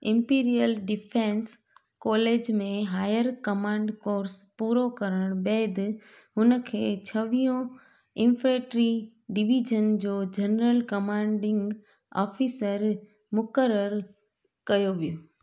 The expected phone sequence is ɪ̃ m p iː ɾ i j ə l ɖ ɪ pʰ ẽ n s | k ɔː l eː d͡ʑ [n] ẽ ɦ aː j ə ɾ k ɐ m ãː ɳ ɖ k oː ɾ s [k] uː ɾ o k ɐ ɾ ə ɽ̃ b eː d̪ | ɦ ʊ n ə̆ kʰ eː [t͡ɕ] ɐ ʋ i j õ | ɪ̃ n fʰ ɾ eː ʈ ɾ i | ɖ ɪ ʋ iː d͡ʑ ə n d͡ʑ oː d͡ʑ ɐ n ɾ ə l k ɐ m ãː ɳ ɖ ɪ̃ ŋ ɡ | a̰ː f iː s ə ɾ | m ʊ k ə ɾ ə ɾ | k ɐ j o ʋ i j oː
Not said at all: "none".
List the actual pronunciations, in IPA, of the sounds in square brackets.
m, p, t͡ɕʰ

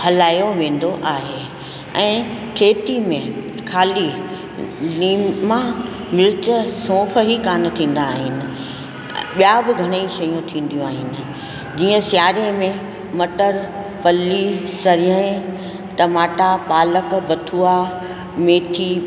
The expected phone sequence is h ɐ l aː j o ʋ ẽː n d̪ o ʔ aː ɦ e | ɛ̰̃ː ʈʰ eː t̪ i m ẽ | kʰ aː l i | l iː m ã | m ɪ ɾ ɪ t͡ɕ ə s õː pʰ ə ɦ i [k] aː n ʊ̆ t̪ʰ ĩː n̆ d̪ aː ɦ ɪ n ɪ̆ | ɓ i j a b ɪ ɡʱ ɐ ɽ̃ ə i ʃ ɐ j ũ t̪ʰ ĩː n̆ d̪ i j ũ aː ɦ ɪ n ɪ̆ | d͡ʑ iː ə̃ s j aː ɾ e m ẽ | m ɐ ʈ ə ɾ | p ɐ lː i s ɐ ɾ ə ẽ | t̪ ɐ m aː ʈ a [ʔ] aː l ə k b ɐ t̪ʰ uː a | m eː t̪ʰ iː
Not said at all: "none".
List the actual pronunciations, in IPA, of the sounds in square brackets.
k, p

